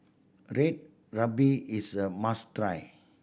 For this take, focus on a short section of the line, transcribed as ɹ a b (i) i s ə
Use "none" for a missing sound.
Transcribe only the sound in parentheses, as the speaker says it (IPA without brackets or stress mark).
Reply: i